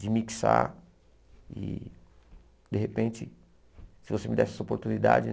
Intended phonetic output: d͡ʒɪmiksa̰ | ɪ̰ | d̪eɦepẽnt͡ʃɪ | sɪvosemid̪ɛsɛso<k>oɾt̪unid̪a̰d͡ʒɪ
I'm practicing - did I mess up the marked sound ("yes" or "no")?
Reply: yes